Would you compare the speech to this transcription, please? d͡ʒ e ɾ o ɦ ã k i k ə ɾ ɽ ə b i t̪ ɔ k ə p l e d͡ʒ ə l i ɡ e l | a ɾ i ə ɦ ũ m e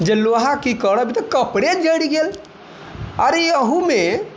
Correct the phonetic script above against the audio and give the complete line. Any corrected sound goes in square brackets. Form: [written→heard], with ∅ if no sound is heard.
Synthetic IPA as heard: d͡ʒ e [ɾ→l] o ɦ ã k i k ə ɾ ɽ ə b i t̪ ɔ k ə p [l→ɽ] e d͡ʒ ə [l→ɽ] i ɡ e l | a ɾ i ə ɦ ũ m e